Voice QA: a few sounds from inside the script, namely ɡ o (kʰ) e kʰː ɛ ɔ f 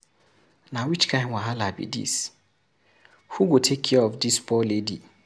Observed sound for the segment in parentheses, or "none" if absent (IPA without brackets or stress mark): tʰ